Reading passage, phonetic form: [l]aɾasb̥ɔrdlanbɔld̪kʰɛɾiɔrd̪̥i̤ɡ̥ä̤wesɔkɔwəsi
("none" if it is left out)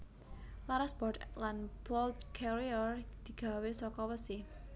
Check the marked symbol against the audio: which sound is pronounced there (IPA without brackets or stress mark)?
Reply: l